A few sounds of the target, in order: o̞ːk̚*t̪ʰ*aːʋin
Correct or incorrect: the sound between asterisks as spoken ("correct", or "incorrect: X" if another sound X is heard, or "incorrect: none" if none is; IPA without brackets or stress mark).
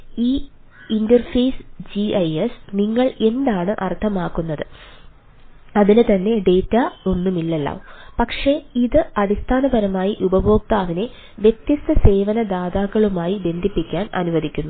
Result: incorrect: t̪